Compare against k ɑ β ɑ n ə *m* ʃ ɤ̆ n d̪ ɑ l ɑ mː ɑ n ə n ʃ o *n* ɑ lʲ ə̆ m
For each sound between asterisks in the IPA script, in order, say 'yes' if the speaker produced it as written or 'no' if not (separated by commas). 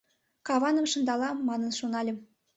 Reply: yes, yes